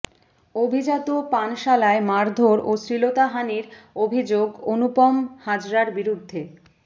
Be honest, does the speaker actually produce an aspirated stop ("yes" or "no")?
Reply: no